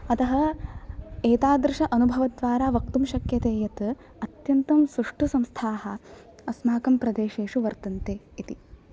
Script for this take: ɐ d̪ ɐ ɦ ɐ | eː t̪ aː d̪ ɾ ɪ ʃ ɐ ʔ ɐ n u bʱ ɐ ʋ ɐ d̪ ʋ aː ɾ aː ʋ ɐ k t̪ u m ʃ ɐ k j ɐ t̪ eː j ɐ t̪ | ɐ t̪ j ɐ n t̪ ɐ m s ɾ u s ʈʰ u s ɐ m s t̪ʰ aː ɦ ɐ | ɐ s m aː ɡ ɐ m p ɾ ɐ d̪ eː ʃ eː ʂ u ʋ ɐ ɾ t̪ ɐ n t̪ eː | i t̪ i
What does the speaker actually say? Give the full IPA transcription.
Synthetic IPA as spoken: ɐ t̪ ɐ ɦ ɐ | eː t̪ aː d̪ ɾ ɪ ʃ ɐ ʔ ɐ n u bʱ ɐ ʋ ɐ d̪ ʋ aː ɾ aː ʋ ɐ k t̪ u m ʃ ɐ k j ɐ t̪ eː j ɐ t̪ | ɐ t̪ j ɐ n t̪ ɐ m s ɾ u ʂ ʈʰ u s ɐ m s t̪ʰ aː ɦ ɐ | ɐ s m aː k ɐ m p ɾ ɐ d̪ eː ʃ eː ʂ u ʋ ɐ ɾ t̪ ɐ n t̪ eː | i t̪ i